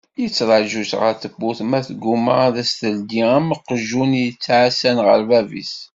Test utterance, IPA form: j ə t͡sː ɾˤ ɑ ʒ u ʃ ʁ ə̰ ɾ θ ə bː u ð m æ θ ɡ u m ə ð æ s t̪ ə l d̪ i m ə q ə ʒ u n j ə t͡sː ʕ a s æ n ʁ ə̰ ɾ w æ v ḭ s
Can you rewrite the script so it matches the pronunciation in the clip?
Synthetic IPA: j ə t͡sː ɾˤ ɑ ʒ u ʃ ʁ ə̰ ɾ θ ə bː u θ m æ θ ɡ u m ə ð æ s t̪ ə l d̪ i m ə q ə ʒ u n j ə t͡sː ʕ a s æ n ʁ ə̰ ɾ v æ v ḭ s